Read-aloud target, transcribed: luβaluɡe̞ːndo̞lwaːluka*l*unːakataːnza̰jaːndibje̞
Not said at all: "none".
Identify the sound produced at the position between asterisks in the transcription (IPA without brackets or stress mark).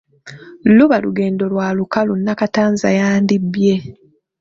l